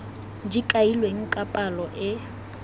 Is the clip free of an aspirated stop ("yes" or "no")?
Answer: yes